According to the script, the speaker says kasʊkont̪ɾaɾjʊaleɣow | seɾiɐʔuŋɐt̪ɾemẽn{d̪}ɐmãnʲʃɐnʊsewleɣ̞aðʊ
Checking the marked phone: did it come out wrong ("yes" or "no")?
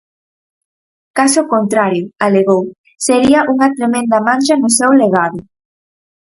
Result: no